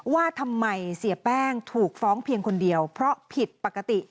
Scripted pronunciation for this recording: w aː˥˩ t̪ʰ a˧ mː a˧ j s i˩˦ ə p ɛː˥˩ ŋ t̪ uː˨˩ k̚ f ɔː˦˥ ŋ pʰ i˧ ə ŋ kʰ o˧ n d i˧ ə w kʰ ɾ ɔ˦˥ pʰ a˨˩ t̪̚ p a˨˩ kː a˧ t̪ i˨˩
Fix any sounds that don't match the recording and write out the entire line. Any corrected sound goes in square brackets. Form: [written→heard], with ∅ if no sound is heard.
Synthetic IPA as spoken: w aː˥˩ t̪ʰ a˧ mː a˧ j s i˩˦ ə p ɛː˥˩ ŋ [t̪→t̪ʰ] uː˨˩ k̚ f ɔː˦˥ ŋ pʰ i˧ ə ŋ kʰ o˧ n d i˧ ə w [kʰ→pʰ] ɾ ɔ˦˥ pʰ [a˨˩→i˨˩] t̪̚ p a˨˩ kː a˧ t̪ i˨˩